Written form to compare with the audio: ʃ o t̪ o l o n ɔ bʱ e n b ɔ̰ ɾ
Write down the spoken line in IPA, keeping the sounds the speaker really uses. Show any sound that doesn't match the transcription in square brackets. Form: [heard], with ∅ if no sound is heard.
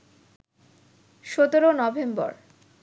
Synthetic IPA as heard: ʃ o t̪ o [ɾ] o n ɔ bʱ e [m] b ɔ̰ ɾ